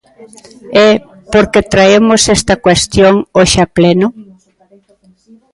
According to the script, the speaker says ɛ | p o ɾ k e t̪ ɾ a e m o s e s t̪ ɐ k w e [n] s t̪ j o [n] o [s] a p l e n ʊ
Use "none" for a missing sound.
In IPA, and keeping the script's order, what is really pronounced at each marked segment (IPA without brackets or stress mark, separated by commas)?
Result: none, ŋ, ʃ